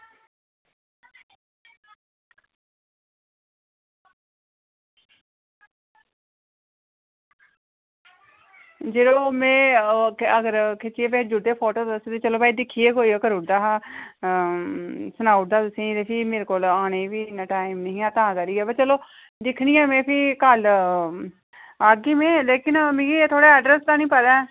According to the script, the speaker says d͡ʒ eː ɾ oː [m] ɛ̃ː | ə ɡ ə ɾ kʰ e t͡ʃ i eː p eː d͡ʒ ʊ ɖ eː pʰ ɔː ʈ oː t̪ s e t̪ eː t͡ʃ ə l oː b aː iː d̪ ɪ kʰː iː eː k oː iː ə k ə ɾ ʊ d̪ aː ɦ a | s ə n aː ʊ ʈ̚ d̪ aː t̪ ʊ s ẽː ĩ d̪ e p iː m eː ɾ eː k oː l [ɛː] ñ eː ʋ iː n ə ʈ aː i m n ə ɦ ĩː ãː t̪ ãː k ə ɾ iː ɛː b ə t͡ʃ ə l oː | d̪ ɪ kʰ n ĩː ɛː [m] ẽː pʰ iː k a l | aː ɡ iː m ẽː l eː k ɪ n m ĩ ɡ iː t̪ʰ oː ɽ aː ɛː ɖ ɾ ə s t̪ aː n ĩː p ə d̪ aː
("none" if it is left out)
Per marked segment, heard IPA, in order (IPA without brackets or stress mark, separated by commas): m, aː, m